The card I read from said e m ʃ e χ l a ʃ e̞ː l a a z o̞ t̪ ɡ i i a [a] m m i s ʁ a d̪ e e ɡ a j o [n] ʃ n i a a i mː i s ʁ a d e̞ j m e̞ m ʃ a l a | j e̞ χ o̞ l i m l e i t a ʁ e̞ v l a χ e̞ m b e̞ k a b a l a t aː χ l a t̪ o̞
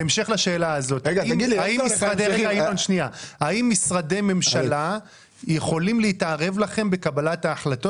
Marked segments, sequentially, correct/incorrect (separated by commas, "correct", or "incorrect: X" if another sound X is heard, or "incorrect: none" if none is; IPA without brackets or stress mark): incorrect: i, correct